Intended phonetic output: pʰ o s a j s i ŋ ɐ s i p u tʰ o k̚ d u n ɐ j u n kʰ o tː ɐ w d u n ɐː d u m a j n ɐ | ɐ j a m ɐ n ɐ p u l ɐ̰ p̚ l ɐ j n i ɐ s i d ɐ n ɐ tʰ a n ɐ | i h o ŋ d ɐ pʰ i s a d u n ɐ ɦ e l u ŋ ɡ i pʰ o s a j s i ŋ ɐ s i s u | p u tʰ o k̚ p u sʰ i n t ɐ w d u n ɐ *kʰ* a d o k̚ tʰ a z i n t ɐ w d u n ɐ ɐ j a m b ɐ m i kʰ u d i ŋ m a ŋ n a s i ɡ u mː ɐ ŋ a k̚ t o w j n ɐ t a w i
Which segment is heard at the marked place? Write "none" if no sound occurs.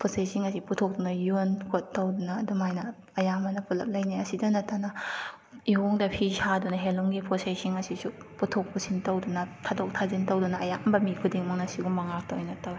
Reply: tʰ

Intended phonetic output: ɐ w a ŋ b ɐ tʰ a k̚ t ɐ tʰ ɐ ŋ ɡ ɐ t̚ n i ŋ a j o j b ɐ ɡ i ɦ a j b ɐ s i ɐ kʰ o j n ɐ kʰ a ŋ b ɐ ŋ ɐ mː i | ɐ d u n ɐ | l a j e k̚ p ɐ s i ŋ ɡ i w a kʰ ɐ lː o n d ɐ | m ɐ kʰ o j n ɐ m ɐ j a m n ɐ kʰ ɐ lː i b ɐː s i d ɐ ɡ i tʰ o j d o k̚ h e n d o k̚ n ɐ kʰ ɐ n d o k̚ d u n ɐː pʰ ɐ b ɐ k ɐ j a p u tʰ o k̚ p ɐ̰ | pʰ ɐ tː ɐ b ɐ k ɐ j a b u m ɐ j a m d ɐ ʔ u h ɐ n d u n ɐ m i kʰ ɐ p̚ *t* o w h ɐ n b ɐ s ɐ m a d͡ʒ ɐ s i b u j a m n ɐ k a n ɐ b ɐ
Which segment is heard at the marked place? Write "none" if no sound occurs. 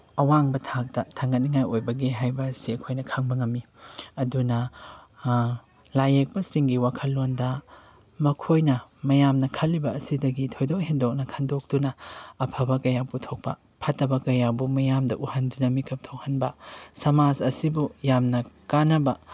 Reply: tʰ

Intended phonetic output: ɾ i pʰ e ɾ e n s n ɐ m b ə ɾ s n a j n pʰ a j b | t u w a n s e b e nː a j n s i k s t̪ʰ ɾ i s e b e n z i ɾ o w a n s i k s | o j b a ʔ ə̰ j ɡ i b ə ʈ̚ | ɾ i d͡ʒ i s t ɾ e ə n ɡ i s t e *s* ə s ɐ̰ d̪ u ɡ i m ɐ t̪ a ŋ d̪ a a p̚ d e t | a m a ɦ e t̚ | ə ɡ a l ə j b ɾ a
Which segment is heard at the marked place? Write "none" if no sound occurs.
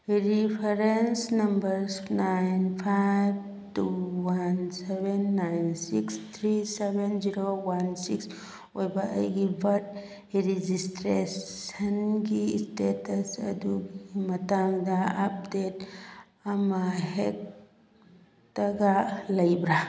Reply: t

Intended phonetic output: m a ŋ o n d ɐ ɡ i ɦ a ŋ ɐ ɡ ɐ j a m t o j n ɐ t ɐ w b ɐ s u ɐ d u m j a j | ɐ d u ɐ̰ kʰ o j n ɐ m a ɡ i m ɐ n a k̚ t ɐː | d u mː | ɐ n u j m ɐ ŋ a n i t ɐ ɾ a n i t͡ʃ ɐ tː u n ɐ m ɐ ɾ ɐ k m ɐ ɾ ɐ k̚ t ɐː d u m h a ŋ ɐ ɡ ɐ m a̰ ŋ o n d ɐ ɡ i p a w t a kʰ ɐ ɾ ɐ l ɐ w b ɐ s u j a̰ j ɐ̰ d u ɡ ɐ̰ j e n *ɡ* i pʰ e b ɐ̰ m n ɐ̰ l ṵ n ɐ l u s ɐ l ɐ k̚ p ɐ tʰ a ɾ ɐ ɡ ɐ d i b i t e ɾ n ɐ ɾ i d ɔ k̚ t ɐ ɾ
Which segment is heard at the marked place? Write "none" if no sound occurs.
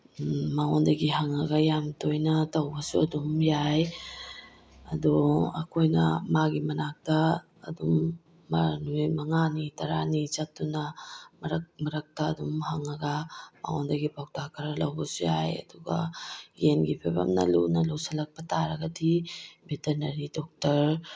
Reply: ɡ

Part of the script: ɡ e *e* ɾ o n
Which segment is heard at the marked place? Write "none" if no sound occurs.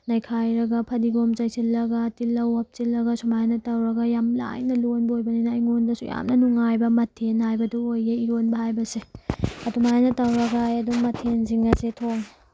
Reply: i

